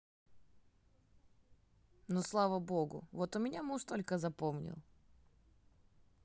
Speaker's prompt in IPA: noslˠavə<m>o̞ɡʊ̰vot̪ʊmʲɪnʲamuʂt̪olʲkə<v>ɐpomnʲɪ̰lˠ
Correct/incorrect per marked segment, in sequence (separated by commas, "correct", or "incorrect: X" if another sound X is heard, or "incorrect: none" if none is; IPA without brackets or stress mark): incorrect: b, incorrect: z